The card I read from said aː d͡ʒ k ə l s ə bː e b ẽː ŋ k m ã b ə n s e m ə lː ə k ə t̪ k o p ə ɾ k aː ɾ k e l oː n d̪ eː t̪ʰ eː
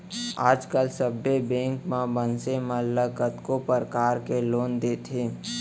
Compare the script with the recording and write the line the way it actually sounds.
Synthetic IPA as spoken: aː d͡ʒ k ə l s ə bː e b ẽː ŋ k m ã b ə n s e m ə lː ə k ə t̪ k o p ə ɾ k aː ɾ k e l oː n d̪ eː t̪ʰ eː